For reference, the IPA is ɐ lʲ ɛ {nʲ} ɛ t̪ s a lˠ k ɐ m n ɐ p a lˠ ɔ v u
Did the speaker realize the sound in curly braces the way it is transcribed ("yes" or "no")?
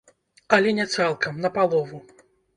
yes